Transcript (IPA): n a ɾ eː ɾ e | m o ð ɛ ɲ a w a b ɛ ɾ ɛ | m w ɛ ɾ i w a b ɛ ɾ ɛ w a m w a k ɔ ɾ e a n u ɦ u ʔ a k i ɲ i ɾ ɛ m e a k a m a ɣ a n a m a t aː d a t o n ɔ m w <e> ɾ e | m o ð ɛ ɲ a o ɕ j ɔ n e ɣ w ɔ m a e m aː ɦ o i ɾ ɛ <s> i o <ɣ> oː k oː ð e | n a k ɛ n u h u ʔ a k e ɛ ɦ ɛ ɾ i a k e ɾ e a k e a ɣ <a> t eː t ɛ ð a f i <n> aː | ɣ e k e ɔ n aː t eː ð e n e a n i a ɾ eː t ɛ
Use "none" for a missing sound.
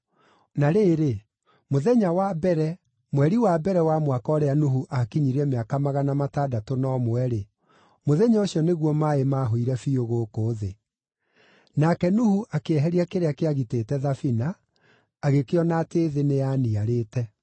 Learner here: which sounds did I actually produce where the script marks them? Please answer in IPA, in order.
ɛ, f, ɣ, i, n

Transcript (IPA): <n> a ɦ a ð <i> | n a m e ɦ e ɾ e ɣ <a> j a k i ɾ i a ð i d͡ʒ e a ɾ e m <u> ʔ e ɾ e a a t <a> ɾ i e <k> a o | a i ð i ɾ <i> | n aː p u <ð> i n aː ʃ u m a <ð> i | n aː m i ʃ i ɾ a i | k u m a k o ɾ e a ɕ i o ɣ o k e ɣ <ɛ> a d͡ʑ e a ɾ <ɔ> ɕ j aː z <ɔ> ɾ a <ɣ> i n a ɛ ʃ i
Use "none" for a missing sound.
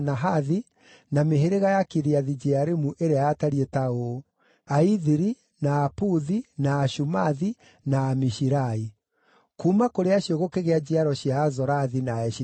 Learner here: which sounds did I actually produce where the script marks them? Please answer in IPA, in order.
n, i, a, u, a, t, i, ð, ð, e, ɔ, ɔ, ð

